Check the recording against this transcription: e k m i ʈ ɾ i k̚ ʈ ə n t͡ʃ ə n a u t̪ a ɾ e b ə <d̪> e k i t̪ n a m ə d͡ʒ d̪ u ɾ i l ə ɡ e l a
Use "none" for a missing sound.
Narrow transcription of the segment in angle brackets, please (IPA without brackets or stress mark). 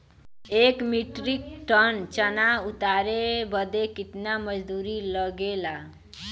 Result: d̪